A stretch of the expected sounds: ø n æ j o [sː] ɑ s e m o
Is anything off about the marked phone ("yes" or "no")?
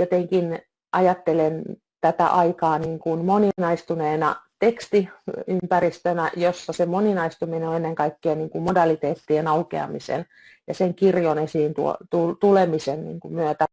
no